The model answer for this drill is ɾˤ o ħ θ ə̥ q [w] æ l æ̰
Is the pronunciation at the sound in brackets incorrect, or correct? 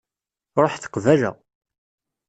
incorrect: v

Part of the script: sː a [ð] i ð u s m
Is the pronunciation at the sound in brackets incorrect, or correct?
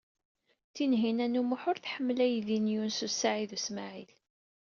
incorrect: ʕ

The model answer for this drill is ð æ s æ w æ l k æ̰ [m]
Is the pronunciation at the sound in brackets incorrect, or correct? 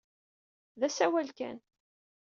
incorrect: n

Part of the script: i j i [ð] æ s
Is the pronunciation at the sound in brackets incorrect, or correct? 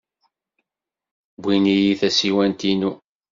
incorrect: θ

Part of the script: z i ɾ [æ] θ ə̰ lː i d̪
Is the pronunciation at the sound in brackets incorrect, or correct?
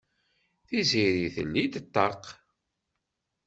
incorrect: i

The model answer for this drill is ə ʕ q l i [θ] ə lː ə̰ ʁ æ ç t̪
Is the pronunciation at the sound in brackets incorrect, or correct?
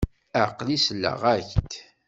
incorrect: s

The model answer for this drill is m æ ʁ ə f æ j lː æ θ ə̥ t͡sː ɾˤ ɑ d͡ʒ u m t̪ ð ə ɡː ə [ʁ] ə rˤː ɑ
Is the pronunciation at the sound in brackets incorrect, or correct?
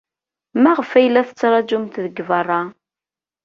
incorrect: v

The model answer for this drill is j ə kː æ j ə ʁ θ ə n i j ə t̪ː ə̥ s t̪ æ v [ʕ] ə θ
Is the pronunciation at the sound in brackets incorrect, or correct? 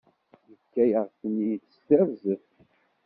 incorrect: z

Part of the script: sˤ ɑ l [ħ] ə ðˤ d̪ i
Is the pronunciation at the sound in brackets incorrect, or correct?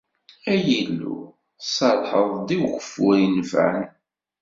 correct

